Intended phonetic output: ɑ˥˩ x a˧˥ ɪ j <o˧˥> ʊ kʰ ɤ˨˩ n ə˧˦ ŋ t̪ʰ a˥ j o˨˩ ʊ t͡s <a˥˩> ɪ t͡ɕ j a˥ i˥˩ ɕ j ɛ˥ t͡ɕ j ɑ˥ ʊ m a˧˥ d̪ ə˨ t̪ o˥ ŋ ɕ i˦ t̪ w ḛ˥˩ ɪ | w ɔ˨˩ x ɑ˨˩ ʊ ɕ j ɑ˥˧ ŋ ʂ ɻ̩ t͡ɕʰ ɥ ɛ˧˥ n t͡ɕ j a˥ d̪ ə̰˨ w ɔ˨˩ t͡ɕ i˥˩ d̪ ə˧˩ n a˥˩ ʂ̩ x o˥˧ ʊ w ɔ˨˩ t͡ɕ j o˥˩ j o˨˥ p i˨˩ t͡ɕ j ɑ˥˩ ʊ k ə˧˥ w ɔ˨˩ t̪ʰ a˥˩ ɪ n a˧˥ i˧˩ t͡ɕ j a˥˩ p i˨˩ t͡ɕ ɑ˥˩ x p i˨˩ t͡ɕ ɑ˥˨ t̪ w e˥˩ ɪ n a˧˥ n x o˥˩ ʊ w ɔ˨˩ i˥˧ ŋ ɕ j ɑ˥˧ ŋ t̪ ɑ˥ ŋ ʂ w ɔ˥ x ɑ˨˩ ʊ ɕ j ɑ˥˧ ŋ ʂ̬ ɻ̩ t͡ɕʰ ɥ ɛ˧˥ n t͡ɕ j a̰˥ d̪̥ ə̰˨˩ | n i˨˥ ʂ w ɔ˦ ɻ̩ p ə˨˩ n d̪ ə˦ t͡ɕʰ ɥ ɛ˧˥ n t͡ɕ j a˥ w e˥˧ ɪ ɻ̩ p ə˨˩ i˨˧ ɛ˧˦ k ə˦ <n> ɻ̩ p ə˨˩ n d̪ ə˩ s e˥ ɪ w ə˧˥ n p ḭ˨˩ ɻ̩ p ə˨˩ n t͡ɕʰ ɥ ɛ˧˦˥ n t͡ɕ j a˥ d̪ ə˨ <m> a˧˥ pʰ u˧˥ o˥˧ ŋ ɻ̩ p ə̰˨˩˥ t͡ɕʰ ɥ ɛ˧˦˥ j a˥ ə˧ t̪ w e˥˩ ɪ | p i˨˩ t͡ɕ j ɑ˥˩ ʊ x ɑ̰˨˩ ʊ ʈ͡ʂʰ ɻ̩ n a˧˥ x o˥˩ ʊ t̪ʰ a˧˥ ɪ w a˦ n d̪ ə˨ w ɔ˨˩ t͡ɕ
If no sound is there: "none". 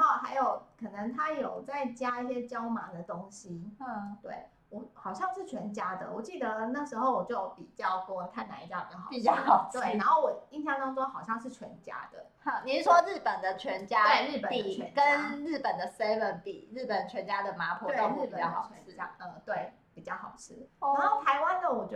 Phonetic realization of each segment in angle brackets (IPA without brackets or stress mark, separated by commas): o˨˩, a˥˩, n, m